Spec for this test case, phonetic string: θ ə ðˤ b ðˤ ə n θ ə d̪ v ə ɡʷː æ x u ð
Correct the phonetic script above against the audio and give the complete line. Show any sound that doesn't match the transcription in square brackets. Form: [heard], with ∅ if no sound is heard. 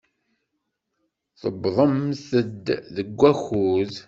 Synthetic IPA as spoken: θ ə [∅] b ðˤ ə [m] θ ə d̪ [ð] ə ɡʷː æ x u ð